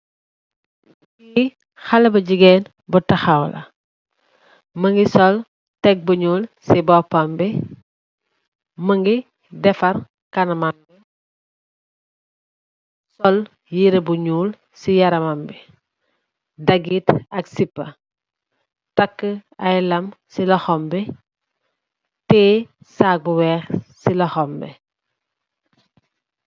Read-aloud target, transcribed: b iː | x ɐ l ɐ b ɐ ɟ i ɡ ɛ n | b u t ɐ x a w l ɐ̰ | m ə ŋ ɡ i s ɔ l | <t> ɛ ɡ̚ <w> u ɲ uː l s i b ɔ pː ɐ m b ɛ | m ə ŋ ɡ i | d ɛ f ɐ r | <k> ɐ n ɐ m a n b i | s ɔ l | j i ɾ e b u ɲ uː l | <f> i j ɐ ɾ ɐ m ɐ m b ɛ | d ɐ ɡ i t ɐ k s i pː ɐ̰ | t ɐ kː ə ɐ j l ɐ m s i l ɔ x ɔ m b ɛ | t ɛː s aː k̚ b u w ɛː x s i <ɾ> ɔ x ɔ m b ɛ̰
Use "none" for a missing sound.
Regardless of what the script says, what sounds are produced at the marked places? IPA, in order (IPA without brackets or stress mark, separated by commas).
t, b, k, s, l